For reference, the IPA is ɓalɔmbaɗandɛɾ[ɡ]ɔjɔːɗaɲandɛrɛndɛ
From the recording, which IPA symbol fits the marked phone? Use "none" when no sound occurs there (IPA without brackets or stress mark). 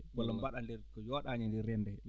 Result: k